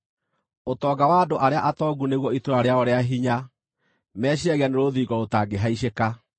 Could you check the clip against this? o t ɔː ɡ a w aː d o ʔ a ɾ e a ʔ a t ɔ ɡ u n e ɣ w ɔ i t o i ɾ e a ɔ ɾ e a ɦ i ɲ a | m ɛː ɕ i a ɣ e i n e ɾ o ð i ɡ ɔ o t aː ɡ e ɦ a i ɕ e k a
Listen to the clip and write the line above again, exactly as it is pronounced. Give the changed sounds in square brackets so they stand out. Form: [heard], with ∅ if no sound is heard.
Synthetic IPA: o t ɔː ɡ a w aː d o ʔ a ɾ e a ʔ a t ɔ ɡ u n e ɣ w ɔ i t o [a] ɾ e a ɔ ɾ e a ɦ i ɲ a | m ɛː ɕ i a ɣ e [a] n e ɾ o ð i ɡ ɔ o t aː ɡ e ɦ a i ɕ e k a